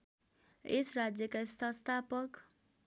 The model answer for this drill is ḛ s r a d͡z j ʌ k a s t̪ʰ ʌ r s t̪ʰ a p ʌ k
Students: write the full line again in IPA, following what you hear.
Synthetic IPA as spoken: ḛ s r a d͡z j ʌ k a s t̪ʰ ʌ s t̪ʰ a p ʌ k